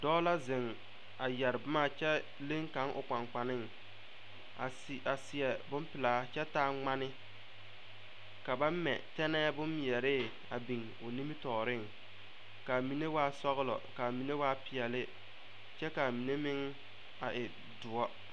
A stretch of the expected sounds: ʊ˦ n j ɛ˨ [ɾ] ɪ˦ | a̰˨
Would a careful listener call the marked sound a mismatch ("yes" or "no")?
no